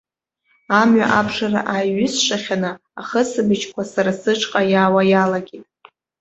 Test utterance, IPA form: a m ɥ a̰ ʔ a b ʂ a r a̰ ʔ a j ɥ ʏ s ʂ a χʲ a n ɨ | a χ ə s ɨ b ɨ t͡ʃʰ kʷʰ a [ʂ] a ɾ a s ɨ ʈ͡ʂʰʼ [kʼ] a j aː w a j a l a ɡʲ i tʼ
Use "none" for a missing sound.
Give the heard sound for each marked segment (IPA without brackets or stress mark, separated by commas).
s, qʼ